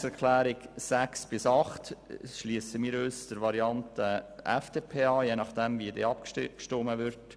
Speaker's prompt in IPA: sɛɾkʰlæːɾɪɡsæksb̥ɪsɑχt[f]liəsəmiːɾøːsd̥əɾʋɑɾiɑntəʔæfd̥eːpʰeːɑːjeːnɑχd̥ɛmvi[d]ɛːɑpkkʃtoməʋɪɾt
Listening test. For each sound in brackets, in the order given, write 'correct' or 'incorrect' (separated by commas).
incorrect, correct